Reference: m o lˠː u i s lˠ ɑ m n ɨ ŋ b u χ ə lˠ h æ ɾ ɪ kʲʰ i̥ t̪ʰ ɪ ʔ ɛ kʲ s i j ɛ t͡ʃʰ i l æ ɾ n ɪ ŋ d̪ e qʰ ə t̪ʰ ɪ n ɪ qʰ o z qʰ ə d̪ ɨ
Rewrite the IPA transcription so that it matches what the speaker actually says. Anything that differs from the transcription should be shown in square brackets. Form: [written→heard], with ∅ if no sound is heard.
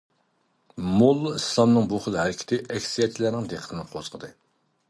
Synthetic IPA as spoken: m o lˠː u i s lˠ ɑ m n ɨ ŋ b u χ ə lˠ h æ ɾ ɪ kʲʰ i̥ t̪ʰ ɪ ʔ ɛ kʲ s i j ɛ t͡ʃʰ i l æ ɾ n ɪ ŋ d̪ e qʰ ə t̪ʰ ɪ n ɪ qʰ o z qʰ ə d̪ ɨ